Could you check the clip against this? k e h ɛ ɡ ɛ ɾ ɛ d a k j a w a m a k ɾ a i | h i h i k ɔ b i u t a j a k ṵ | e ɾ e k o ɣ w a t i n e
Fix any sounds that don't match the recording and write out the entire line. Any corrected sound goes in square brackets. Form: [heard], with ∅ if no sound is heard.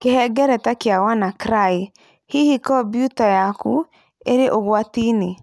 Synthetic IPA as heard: k e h ɛ ɡ ɛ ɾ ɛ [t] a k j a w a [n] a k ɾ a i | h i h i k ɔ b [j] u t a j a k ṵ | e ɾ e [ʔ] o ɣ w a t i n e

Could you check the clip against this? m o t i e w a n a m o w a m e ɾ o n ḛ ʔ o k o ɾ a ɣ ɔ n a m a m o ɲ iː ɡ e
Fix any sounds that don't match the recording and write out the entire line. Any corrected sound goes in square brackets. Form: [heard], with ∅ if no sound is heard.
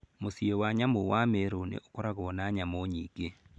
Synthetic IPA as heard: m o [s] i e w a [ɲ] a m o w a m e ɾ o n ḛ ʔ o k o ɾ a ɣ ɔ n a [ɲ] a m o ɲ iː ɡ e

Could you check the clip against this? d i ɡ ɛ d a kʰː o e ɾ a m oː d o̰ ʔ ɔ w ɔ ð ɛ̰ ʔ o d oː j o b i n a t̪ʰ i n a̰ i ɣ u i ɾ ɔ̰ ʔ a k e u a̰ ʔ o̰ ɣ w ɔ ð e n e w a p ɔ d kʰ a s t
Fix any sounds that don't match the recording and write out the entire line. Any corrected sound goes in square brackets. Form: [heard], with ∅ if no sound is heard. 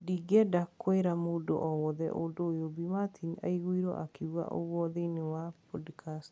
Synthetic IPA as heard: d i ɡ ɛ d a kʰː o e ɾ a m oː d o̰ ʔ ɔ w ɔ ð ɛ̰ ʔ o d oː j o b i [m] a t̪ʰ i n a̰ i ɣ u i ɾ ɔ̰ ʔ a k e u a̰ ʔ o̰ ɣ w ɔ ð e n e w a p ɔ d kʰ a s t

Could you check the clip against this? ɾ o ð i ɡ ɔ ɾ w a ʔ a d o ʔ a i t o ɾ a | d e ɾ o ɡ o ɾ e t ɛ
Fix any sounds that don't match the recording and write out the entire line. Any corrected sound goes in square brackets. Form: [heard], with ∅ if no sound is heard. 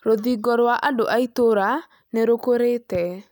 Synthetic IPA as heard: ɾ o ð i ɡ ɔ ɾ w a ʔ a d o ʔ a i t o ɾ a | [n] e ɾ o [k] o ɾ e t ɛ

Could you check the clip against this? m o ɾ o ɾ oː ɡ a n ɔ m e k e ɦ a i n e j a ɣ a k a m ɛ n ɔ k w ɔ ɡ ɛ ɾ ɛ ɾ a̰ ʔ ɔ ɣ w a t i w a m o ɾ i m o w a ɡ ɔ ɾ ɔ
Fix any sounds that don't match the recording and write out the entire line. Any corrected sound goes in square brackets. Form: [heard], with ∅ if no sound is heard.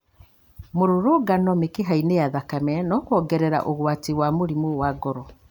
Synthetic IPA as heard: m o ɾ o ɾ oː ɡ a n ɔ m e k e ɦ a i n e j a [ð] a k a m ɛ n ɔ k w ɔ ɡ ɛ ɾ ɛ ɾ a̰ ʔ [o] ɣ w a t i w a m o ɾ i m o w a ɡ ɔ ɾ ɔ

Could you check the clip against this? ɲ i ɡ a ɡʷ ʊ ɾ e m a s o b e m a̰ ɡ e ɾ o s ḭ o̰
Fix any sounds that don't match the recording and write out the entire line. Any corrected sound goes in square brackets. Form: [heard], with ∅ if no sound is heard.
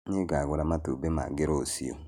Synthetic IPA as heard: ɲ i ɡ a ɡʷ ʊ ɾ [a] m a [t] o b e m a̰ ɡ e ɾ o s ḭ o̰

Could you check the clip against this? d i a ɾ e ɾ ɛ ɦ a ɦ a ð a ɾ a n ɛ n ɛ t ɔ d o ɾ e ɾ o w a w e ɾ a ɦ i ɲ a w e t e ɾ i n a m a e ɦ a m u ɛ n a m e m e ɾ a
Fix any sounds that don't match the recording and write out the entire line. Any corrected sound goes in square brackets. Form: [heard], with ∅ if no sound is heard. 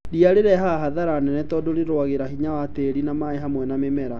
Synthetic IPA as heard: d i a ɾ e ɾ ɛ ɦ a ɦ a ð a ɾ a n ɛ n ɛ t ɔ d o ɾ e ɾ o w a [ɣ] e ɾ a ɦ i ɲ a w [a] t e ɾ i n a m a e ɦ a m [w] ɛ n a m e m [ɛ] ɾ a

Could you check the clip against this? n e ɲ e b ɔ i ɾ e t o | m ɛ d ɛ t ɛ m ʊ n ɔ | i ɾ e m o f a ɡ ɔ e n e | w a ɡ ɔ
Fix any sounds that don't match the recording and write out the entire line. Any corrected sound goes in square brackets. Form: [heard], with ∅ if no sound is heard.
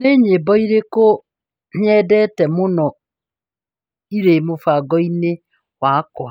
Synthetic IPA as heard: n e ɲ e b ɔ i ɾ e [k] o | [ɲ] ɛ d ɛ t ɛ m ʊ n ɔ | i ɾ e m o f a ɡ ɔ [i] n e | w a [k] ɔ

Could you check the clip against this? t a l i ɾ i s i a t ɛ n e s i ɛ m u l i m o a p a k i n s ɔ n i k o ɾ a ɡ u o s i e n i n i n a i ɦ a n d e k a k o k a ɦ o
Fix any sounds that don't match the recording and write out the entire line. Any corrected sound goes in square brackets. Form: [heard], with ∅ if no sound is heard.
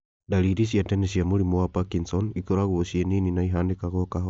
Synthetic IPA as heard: [d] a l i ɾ i s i a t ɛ n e s i [a] m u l i m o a p a k i n s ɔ n i k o ɾ a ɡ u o s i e n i n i n a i ɦ a n d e k a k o k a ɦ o

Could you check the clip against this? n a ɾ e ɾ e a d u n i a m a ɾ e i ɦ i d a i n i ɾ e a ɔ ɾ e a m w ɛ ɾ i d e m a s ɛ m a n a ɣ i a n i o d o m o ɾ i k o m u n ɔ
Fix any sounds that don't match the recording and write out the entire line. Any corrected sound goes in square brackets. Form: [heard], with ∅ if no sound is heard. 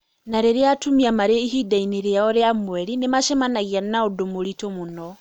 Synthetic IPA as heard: n a ɾ e ɾ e a [t] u [m] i a m a ɾ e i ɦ i d a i n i ɾ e a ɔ ɾ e a m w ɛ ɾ i [n] e m a [ʃ] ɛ m a n a ɣ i a n [a] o d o m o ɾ i [t] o m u n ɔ

